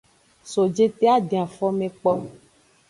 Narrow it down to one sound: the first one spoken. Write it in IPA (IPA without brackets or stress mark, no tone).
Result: s